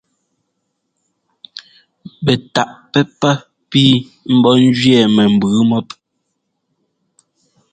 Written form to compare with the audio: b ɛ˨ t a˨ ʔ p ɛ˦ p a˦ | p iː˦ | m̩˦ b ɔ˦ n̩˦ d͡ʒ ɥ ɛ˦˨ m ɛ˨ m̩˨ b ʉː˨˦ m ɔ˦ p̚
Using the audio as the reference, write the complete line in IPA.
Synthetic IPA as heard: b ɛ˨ t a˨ ʔ p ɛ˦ p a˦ | p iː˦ | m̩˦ b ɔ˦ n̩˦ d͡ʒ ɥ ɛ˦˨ m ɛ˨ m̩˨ b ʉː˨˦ m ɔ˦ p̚